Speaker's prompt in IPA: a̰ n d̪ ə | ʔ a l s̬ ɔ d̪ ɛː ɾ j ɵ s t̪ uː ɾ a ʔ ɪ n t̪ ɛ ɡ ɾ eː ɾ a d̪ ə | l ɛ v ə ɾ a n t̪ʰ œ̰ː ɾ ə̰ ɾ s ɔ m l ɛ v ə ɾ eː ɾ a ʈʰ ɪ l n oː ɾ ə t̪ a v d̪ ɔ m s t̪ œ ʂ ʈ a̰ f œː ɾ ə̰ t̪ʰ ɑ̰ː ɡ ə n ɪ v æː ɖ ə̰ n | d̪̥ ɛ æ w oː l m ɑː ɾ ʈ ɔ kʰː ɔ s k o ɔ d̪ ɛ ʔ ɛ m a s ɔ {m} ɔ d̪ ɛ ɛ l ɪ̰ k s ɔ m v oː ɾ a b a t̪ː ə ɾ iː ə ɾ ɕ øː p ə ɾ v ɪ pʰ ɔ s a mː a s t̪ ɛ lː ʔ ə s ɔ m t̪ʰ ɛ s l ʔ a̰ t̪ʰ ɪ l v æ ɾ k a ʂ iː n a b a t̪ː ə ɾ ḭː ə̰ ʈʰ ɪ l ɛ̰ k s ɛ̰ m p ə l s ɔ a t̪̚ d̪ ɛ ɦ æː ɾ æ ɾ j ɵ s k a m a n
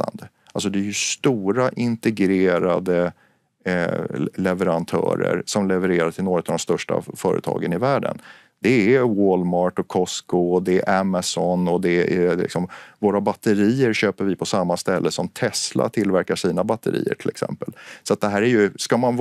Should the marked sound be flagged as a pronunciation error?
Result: yes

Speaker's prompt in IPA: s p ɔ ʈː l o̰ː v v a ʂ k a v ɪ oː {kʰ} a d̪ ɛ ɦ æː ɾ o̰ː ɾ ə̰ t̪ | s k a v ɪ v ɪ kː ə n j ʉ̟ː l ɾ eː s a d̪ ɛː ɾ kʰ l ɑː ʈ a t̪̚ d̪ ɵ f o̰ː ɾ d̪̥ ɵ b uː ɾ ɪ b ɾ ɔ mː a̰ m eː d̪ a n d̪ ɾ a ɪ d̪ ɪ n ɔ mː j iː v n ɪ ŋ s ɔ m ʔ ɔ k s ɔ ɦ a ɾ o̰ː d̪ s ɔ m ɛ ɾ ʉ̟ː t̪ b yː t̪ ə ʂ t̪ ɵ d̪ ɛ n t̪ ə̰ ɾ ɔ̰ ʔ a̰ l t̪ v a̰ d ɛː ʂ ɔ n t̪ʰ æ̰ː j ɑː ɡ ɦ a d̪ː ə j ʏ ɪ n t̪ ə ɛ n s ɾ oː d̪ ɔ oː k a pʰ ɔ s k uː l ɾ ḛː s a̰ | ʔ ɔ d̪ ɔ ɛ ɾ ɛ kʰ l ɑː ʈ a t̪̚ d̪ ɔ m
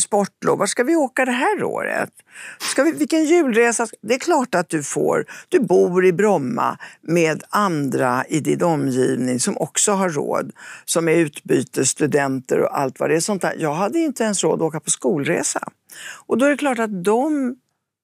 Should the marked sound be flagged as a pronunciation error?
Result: yes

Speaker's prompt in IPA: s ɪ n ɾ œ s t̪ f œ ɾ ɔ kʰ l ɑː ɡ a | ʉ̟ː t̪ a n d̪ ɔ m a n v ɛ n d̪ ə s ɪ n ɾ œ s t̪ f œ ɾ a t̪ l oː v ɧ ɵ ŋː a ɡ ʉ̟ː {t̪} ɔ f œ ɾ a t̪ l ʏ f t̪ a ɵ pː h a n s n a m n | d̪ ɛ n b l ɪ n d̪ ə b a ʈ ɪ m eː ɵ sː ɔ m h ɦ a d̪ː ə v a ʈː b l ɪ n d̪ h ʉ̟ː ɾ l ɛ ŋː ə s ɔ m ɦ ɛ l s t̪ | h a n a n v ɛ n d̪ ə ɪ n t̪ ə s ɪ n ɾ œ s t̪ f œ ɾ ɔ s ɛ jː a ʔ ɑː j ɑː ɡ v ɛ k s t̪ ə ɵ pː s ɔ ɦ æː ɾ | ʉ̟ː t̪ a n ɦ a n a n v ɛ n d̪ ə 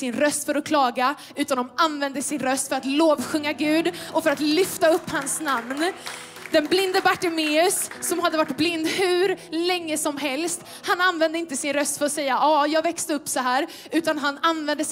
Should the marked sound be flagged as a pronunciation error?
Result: yes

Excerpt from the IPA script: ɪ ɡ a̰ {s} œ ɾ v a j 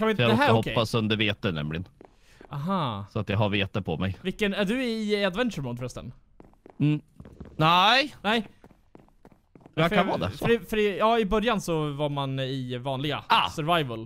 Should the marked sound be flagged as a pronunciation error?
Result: no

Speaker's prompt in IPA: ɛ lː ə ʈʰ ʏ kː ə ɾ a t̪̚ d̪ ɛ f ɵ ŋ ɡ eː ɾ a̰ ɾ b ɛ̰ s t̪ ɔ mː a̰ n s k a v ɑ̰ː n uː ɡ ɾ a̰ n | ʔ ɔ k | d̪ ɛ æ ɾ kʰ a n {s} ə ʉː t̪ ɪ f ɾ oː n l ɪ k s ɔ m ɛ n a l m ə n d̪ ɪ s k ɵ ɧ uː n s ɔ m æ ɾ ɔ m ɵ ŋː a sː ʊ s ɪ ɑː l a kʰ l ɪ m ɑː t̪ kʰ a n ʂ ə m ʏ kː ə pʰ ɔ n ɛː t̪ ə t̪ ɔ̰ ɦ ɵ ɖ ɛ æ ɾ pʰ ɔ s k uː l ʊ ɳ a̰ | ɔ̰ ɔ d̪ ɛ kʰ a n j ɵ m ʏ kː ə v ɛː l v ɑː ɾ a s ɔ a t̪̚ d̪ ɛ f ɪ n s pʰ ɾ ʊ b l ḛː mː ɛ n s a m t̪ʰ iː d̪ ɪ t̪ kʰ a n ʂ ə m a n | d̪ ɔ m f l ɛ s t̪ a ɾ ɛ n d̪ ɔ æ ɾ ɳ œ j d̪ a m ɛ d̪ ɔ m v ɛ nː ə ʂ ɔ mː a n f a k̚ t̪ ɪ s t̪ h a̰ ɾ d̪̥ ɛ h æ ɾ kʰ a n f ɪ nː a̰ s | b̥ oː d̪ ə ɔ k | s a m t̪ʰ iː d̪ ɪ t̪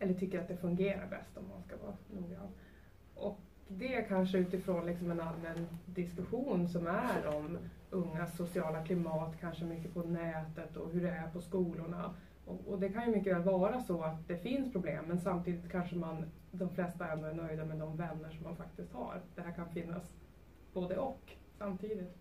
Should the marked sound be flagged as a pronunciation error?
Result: yes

